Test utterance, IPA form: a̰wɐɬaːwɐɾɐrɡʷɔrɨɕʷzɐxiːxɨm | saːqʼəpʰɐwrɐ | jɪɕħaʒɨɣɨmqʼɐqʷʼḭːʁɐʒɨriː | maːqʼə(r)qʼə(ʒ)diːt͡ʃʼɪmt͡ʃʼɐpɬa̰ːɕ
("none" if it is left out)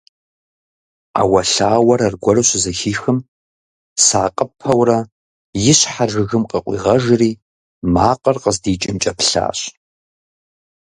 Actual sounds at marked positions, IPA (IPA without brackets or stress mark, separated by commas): r, z